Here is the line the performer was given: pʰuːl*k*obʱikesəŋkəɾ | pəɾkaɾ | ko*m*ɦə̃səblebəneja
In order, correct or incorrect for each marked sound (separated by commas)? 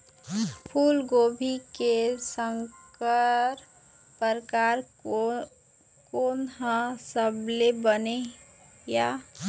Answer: incorrect, incorrect